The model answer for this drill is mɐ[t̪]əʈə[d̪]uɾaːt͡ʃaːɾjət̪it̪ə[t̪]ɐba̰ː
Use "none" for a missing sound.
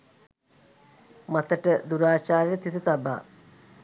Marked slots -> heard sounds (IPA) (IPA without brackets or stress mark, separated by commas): t̪, d̪, t̪